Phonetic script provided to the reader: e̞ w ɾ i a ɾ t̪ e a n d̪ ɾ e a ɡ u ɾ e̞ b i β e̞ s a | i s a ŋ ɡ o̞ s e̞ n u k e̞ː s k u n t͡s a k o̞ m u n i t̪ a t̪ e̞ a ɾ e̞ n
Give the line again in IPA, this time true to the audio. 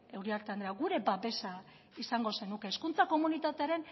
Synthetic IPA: e̞ w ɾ i a ɾ t̪ e a n d̪ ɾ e a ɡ u ɾ e̞ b a β e̞ s a | i s a ŋ ɡ o̞ s e̞ n u k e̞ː s k u n t͡s a k o̞ m u n i t̪ a t̪ e̞ a ɾ e̞ n